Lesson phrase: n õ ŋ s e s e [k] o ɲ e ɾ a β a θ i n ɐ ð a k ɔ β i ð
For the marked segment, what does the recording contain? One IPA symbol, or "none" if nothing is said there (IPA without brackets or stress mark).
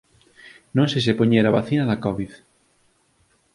p